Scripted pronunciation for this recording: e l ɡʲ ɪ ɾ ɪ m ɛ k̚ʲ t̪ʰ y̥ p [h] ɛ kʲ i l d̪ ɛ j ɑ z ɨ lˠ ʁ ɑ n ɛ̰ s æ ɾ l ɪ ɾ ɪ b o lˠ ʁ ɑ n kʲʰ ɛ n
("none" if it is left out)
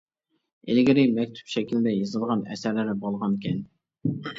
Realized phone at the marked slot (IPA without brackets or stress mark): ʃ